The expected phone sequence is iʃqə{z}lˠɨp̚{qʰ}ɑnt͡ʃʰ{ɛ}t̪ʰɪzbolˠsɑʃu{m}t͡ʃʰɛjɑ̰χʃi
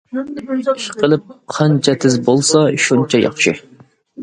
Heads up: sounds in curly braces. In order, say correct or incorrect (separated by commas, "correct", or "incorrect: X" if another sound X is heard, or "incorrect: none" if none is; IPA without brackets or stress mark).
incorrect: none, correct, correct, incorrect: n